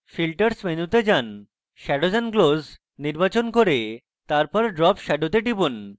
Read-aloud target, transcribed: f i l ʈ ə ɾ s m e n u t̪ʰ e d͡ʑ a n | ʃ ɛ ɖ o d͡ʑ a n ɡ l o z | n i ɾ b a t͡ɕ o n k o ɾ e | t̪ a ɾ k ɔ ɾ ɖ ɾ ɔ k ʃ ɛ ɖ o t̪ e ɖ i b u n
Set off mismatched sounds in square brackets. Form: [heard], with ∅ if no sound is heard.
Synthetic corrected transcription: f i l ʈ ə ɾ s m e n u [t̪] e d͡ʑ a n | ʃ ɛ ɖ o d͡ʑ a n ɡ l o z | n i ɾ b a t͡ɕ o n k o ɾ e | t̪ a ɾ [p] ɔ ɾ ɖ ɾ ɔ [p] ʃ ɛ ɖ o t̪ e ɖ i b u n